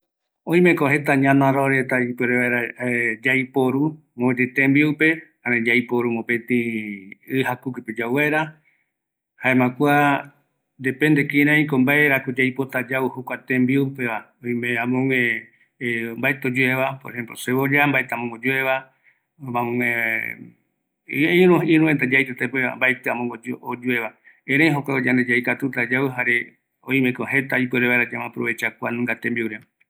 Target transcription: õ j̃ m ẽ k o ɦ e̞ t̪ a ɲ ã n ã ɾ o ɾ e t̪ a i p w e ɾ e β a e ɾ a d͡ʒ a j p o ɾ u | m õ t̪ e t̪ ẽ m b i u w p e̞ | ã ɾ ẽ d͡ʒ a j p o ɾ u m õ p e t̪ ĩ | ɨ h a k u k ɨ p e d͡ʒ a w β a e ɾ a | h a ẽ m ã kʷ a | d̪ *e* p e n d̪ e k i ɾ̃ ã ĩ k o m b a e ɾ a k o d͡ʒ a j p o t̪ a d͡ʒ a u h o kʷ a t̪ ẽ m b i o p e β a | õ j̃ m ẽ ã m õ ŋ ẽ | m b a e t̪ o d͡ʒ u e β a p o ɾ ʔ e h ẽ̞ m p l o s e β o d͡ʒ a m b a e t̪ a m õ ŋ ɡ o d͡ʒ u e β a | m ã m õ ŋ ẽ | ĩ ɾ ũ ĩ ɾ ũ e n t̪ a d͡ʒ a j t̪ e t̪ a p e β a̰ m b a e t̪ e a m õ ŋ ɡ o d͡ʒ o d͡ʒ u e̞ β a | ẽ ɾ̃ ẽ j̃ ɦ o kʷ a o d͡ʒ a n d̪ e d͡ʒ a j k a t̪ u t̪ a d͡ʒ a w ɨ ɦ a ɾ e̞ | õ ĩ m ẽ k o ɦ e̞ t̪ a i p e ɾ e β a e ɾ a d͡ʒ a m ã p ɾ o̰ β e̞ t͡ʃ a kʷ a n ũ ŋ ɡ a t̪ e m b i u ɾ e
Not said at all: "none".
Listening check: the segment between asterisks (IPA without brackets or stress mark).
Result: e